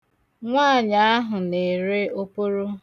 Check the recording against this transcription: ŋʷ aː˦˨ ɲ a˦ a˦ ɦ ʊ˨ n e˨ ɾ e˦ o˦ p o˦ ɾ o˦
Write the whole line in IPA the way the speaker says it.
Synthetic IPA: ŋʷ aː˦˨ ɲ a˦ a˦ ɦ ʊ˨ n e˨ ɾ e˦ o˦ p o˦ ɾ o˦